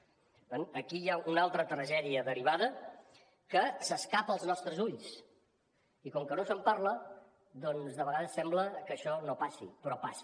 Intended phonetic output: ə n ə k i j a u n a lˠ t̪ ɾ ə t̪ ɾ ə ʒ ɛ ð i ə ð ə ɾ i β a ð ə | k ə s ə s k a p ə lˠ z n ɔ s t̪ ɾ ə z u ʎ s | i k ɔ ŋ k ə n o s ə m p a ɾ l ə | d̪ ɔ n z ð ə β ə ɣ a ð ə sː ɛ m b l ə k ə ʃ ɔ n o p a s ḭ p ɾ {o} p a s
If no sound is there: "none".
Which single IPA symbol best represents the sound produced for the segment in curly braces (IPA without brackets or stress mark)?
ɔ